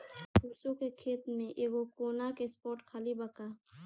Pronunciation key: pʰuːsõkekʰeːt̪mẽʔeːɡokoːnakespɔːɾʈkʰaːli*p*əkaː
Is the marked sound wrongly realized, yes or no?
yes